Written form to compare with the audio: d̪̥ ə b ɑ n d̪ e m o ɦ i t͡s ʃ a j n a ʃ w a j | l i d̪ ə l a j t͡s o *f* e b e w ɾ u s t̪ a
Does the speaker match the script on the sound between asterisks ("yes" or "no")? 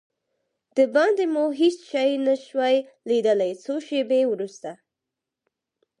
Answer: no